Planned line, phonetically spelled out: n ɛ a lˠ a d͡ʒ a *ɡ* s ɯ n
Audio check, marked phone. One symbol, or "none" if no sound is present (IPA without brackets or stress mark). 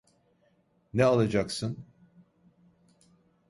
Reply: k